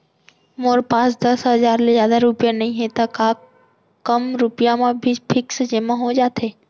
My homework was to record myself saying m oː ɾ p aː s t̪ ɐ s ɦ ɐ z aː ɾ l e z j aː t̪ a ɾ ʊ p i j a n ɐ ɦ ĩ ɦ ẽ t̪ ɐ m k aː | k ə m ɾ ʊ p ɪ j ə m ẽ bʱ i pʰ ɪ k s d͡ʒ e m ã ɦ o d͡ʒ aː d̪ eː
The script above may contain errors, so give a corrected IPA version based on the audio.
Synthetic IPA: m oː ɾ p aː s d̪ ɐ s ɦ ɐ z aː ɾ l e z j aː d̪ a ɾ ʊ p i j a n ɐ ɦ ĩ ɦ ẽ t̪ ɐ k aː | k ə m ɾ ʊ p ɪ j a m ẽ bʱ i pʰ ɪ k s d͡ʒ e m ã ɦ o d͡ʒ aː t̪ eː